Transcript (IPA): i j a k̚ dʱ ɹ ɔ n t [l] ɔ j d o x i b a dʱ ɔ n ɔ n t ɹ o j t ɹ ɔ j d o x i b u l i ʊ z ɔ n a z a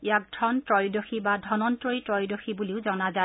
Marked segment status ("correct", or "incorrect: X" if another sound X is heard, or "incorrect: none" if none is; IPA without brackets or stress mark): incorrect: ɹ